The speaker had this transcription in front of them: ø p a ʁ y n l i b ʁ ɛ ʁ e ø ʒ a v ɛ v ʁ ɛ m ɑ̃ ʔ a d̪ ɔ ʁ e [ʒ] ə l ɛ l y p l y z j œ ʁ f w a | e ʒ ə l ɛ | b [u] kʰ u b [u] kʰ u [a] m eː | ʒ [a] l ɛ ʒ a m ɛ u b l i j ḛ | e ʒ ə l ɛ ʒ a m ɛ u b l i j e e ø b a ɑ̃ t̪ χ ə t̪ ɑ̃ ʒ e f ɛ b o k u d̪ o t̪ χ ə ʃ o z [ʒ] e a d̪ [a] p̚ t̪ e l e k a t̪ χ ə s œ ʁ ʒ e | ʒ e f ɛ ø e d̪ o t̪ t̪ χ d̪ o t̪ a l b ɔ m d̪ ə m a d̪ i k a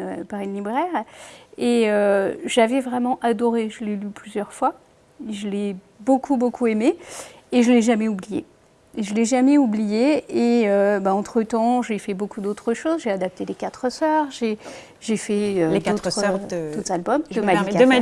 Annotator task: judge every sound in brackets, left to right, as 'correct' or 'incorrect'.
correct, incorrect, incorrect, incorrect, incorrect, correct, correct

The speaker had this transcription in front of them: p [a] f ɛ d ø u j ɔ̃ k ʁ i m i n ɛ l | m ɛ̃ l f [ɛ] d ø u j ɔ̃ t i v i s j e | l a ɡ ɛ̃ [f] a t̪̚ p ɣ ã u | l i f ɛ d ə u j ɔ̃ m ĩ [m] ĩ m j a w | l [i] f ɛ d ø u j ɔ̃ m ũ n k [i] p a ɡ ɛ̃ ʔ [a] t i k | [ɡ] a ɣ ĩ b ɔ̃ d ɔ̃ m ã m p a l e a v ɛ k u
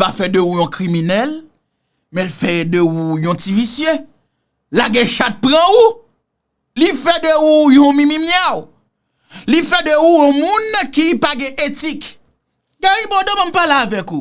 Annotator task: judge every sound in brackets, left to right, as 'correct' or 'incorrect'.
correct, correct, incorrect, correct, correct, correct, incorrect, correct

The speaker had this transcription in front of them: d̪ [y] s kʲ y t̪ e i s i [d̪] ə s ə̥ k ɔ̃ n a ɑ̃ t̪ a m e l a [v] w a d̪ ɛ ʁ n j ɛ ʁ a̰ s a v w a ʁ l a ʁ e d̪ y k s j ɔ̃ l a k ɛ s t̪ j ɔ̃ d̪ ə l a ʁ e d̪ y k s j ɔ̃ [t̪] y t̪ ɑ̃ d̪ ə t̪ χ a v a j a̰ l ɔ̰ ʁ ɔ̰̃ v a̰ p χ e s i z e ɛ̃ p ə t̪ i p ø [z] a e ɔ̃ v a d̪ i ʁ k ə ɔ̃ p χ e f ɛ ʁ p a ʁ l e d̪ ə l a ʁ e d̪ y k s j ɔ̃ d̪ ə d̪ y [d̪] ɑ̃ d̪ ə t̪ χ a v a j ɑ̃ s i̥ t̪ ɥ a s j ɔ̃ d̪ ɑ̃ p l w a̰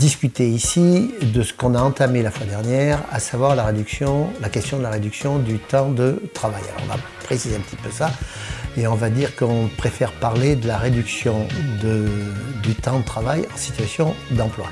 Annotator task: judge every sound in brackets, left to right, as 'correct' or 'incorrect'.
incorrect, correct, incorrect, incorrect, incorrect, incorrect

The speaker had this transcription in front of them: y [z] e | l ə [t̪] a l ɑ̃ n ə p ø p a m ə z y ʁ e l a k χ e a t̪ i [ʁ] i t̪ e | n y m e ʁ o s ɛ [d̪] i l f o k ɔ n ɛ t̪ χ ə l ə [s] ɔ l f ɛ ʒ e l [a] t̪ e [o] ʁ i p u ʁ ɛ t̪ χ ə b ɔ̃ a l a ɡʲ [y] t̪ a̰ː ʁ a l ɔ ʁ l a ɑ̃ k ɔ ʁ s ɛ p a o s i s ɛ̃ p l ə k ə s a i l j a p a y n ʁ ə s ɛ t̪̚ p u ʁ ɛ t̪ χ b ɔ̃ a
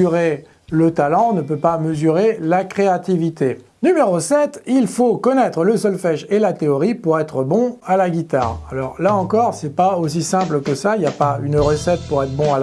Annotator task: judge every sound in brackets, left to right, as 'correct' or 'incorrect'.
incorrect, correct, incorrect, incorrect, correct, correct, incorrect, incorrect

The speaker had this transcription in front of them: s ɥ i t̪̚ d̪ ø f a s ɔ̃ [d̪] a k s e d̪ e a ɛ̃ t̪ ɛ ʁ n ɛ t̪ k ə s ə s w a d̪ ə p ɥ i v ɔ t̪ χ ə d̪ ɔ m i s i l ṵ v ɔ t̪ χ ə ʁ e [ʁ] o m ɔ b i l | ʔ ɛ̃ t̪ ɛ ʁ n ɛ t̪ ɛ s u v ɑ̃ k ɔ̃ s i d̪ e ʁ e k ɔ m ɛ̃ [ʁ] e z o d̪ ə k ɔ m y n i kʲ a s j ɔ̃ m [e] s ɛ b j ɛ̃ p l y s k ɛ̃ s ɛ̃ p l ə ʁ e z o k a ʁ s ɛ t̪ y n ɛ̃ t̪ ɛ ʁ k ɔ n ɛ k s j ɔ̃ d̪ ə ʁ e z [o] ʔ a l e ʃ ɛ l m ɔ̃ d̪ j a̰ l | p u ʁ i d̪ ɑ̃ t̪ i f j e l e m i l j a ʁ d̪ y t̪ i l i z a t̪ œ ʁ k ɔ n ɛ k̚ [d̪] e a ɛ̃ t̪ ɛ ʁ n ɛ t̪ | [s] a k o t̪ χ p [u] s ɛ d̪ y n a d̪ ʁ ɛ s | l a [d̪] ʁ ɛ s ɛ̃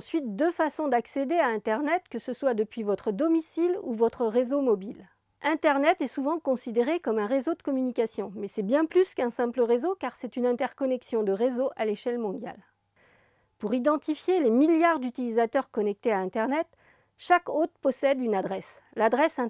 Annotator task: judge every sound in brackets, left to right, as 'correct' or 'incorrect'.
correct, incorrect, correct, incorrect, correct, incorrect, incorrect, incorrect, correct

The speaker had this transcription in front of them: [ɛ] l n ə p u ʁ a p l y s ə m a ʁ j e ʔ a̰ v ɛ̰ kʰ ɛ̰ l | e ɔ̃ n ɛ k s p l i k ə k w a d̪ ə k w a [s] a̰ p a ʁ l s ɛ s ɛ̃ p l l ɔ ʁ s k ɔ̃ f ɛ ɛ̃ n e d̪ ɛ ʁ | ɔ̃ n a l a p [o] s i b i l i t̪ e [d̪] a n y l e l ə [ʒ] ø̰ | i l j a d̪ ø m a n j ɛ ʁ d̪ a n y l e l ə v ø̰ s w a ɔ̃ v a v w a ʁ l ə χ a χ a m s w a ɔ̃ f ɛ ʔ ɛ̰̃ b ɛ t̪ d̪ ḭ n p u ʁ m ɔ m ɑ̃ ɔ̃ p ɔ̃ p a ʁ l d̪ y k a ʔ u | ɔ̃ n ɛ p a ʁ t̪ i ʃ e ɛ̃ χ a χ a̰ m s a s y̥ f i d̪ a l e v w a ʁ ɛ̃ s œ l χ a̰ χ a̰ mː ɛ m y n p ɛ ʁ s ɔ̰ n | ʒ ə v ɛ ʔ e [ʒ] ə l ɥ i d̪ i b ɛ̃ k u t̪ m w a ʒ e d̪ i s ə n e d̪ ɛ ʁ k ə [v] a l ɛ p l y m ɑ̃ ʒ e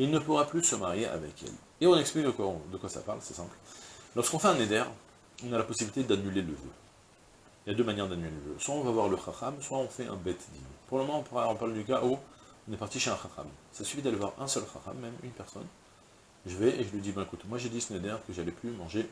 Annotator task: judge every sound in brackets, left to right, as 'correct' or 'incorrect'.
incorrect, correct, incorrect, correct, incorrect, correct, incorrect

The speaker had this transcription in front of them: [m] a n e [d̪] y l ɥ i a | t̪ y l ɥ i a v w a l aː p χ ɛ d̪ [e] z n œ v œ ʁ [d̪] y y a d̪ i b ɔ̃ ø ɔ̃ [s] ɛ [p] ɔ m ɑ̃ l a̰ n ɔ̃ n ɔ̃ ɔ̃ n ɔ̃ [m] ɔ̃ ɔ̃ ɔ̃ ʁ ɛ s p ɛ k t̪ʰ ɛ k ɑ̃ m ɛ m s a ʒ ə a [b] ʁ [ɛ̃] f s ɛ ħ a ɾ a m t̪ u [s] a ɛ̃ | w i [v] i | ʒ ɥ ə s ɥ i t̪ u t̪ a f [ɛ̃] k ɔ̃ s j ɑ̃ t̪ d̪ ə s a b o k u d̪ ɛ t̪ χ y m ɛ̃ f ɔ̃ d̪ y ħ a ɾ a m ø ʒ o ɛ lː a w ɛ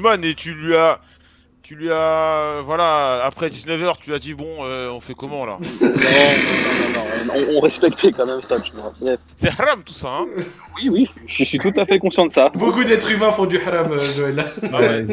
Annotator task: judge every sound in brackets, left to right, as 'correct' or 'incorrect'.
correct, incorrect, incorrect, incorrect, incorrect, incorrect, incorrect, correct, incorrect, correct, incorrect, incorrect

